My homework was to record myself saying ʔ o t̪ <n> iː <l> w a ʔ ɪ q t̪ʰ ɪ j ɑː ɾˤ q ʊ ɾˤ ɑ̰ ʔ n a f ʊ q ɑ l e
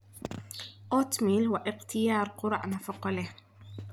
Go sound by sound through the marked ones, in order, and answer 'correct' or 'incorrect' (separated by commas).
incorrect, correct